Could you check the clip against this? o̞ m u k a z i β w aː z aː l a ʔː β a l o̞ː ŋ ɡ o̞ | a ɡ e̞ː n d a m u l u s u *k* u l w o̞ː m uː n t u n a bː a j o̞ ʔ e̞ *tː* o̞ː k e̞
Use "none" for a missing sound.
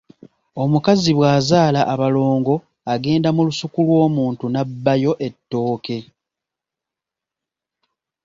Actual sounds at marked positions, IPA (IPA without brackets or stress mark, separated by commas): k, tː